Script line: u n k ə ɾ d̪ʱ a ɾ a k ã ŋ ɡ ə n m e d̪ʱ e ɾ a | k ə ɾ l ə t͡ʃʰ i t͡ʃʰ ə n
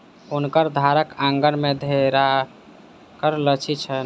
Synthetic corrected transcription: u n k ə ɾ d̪ʱ a ɾ ə k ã ŋ ɡ ə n m e d̪ʱ e ɾ a | k ə ɾ l ə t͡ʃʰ i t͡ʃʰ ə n